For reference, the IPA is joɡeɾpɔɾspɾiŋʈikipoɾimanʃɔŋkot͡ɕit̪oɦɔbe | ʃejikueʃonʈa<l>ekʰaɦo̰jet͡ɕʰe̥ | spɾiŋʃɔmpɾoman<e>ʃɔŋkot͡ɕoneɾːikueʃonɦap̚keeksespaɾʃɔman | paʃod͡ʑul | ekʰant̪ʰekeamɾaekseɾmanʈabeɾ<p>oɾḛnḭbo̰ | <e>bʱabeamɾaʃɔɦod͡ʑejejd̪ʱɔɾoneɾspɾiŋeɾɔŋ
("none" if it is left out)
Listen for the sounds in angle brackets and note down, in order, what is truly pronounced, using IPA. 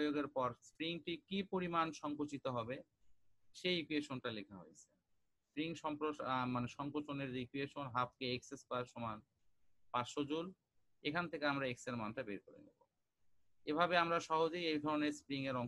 l, e, k, e

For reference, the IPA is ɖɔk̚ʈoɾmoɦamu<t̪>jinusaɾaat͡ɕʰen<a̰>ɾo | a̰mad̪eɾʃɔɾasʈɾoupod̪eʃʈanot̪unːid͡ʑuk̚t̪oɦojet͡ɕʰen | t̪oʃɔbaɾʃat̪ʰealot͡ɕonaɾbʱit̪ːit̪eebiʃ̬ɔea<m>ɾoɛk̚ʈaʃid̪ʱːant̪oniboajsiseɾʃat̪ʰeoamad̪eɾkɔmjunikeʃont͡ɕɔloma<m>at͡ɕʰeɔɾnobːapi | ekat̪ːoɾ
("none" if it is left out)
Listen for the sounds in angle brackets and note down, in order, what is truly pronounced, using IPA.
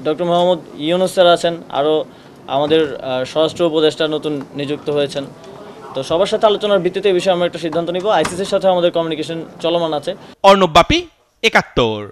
d̪, a̰, m, n

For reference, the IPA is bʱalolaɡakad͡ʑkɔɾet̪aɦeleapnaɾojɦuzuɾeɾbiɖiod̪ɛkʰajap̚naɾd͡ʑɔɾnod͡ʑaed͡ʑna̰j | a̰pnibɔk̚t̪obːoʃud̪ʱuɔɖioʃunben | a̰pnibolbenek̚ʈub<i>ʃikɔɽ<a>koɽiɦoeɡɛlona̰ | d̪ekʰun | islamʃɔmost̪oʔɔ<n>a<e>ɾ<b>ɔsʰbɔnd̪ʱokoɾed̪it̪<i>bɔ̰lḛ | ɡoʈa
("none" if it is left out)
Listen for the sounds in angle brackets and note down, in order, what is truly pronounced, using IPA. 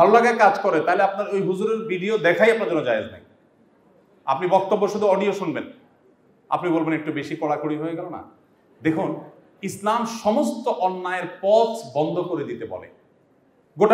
e, a, nː, e, p, e

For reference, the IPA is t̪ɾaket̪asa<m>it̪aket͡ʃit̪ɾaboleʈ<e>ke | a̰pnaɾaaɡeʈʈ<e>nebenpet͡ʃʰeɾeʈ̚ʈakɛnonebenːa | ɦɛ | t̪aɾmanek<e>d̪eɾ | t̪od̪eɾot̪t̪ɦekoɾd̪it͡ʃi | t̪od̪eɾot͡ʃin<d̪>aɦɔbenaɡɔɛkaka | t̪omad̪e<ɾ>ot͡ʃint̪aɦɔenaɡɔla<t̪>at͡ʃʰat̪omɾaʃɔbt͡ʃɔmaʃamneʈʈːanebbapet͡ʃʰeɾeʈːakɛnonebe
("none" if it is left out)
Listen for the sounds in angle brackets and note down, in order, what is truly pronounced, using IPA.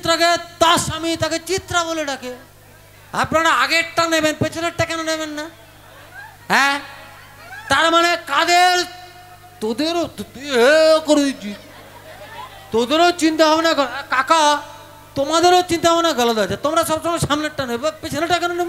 m, a, a, a, t̪, ɾ, d̪

